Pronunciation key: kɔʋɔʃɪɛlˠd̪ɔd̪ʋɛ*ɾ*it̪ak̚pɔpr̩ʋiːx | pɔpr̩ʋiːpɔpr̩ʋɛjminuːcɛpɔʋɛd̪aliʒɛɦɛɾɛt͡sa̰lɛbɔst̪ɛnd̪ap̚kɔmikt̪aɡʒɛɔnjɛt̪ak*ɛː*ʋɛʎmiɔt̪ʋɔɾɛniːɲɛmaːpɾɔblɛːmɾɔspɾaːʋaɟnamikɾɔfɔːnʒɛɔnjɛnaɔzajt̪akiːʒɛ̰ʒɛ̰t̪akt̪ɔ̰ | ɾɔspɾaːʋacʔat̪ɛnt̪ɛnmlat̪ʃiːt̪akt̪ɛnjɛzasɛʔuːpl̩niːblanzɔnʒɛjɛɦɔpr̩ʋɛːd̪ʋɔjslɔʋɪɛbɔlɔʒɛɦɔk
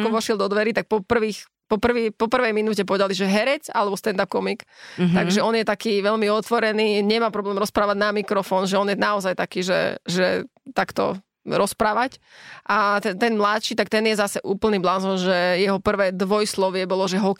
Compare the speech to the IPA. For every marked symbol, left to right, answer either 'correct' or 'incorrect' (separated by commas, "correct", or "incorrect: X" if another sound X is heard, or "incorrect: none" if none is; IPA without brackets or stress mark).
correct, incorrect: iː